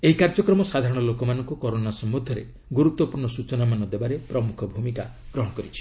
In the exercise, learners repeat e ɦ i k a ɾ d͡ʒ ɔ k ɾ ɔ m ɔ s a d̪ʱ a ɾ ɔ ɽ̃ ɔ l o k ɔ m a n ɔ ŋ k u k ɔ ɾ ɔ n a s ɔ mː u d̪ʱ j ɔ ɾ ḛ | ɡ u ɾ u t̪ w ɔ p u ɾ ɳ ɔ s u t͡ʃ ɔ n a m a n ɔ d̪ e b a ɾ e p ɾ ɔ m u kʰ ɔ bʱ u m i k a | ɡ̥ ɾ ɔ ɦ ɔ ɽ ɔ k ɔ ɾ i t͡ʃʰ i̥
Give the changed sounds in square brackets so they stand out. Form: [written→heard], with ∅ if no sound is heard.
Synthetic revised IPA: e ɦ i k a ɾ d͡ʒ ɔ k ɾ ɔ m ɔ s a d̪ʱ a ɾ ɔ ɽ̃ ɔ l o k ɔ m a n ɔ ŋ k u k ɔ ɾ [ɔ→o] n a s ɔ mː u d̪ʱ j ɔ ɾ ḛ | ɡ u ɾ u t̪ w ɔ p u ɾ ɳ ɔ s u t͡ʃ ɔ n a m a n ɔ d̪ e b a ɾ e p ɾ ɔ m u kʰ ɔ bʱ u m i k a | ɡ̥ ɾ ɔ ɦ ɔ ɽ ɔ k ɔ ɾ i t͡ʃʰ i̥